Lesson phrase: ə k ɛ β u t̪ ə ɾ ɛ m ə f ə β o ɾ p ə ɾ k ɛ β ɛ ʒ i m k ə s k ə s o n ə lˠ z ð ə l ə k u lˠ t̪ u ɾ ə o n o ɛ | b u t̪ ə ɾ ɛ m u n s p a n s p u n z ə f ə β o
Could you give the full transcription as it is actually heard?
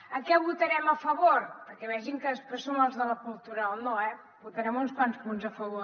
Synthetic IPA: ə k ɛ β u t̪ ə ɾ ɛ m ə f ə β o ɾ p ə ɾ k ɛ β ɛ ʒ i ŋ k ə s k ə s o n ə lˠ z ð ə l ə k u lˠ t̪ u ɾ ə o n o ɛ | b u t̪ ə ɾ ɛ m u n s p a n s p u n z ə f ə β o

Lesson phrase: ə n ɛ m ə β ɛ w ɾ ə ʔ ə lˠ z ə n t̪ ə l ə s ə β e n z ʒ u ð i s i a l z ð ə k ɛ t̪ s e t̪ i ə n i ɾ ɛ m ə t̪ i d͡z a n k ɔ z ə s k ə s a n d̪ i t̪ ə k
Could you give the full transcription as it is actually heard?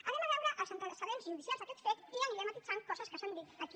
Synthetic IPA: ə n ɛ m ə β ɛ w ɾ ə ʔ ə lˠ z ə n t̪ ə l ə s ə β e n z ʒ u ð i s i a l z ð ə k ɛ t̪ f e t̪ i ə n i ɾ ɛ m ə t̪ i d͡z a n k ɔ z ə s k ə s a n d̪ i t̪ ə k

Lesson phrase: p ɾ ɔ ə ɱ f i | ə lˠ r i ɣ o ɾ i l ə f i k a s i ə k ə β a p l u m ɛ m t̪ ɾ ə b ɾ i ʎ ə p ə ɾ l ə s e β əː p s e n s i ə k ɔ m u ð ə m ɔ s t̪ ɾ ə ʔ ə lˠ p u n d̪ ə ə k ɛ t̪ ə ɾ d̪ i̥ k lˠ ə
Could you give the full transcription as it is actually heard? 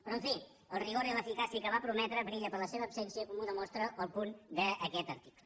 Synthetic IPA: p ɾ ɔ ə ɱ f i | ə lˠ r i ɣ o ɾ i l ə f i k a s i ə k ə β a p ɾ u m ɛ t̪ ɾ ə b ɾ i ʎ ə p ə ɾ l ə s e β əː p s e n s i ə k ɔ m u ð ə m ɔ s t̪ ɾ ə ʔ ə lˠ p u n d̪ ə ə k ɛ t̪ ə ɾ t̪ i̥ k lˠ ə

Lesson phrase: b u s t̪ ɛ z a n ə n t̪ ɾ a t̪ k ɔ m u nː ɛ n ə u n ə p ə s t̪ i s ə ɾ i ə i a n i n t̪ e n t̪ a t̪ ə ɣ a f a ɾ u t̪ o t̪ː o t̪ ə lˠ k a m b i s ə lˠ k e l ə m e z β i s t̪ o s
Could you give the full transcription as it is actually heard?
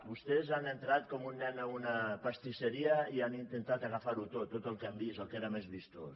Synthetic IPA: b u s t̪ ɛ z a n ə n t̪ ɾ a t̪ k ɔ m u nː ɛ n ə u n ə p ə s t̪ i s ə ɾ i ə i a n i n t̪ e n t̪ a t̪ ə ɣ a f a ɾ u t̪ o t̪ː o t̪ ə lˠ k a m b i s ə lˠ k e ɾ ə m e z β i s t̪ o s

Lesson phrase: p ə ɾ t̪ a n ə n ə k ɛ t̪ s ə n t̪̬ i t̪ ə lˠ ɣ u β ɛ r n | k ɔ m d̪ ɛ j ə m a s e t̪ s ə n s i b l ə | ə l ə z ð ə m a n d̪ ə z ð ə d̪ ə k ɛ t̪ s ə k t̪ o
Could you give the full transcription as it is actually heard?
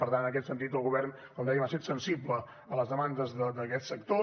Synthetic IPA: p ə ɾ t̪ a n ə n ə k ɛ t̪ s ə n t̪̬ i t̪ ə lˠ ɣ u β ɛ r n | k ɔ m d̪ ɛ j ə m a s e t̪ s ə n s i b l ə | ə l ə z ð ə m a n d̪ ə z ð ə d̪ ə k ɛ t̪ s ə k t̪ o

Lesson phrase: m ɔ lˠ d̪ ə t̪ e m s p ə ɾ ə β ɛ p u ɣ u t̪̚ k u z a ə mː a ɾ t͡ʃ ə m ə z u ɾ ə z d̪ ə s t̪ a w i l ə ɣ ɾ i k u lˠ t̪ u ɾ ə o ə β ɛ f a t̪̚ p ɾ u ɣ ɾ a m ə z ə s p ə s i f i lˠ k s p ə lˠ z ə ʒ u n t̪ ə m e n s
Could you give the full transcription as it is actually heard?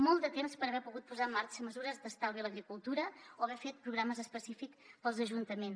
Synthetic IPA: m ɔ lˠ d̪ ə t̪ e m s p ə ɾ ə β ɛ p u ɣ u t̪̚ p u z a ə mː a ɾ t͡ʃ ə m ə z u ɾ ə z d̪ ə s t̪ a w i l ə ɣ ɾ i k u lˠ t̪ u ɾ ə o ə β ɛ f e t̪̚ p ɾ u ɣ ɾ a m ə z ə s p ə s i f i k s p ə lˠ z ə ʒ u n t̪ ə m e n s

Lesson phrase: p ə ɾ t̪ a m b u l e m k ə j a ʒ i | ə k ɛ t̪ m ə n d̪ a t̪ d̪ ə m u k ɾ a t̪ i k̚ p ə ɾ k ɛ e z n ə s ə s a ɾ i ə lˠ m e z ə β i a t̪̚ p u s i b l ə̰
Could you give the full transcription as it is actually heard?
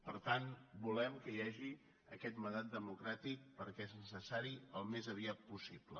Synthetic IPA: p ə ɾ t̪ a n b u l ɛ m k ə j a ʒ i | ə k ɛ t̪ m ə n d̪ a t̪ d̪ ə m u k ɾ a t̪ i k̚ p ə ɾ k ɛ e z n ə s ə s a ɾ i ə lˠ m e z ə β i a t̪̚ p u s i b l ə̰

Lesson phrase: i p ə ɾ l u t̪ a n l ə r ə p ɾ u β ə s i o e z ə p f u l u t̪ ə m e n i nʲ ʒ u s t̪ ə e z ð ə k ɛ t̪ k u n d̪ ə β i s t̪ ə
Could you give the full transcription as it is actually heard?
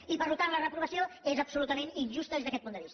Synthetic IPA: i p ə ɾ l u t̪ a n l ə r ə p ɾ u β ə s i o e z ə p s u l u t̪ ə m e n i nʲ ʒ u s t̪ ə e z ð ə k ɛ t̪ p u n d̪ ə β i s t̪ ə

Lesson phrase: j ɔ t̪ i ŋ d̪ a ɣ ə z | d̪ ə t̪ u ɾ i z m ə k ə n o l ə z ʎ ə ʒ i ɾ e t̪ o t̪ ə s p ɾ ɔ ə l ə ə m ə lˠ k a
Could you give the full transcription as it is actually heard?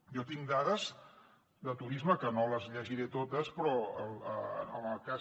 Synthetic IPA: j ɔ t̪ i ŋ d̪ a ð ə z | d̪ ə t̪ u ɾ i z m ə k ə n o l ə z ʎ ə ʒ i ɾ e t̪ o t̪ ə s p ɾ ɔ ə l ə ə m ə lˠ k a

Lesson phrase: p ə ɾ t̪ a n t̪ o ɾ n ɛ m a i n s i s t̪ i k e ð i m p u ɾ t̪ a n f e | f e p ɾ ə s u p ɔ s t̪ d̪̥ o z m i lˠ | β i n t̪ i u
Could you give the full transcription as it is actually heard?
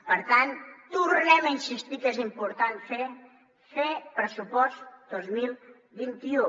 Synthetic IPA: p ə ɾ t̪ a n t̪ u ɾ n ɛ m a i n s i s t̪ i k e z i m p u ɾ t̪ a n f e | f e p ɾ ə s u p ɔ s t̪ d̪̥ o z m i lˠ | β i n t̪ i u

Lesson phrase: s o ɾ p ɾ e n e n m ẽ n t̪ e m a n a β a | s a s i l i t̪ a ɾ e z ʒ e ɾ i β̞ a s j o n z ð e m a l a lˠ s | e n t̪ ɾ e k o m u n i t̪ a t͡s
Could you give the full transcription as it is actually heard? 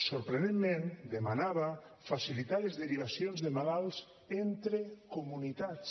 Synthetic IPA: s o ɾ p ɾ e n e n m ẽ n d̪ e m a n a β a | f a s i l i t̪ a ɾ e z ð e ɾ i β̞ a s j o n z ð e m a l a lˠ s | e n t̪ ɾ e k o m u n i t̪ a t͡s

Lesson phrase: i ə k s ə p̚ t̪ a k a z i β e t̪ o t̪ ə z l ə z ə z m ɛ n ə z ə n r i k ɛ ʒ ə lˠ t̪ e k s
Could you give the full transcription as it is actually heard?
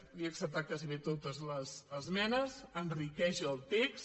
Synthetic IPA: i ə k s ə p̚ t̪ a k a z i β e t̪ o t̪ ə z l ə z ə z m ɛ n ə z ə n r i k ɛ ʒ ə lˠ t̪ e k s

